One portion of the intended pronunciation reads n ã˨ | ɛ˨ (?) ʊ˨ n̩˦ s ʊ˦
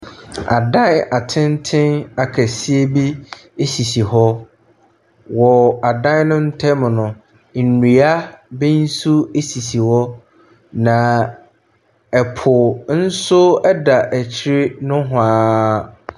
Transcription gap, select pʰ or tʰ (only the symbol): pʰ